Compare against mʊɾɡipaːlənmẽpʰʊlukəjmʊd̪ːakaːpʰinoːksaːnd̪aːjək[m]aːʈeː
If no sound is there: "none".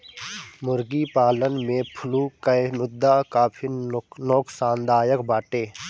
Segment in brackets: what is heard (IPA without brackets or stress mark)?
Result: b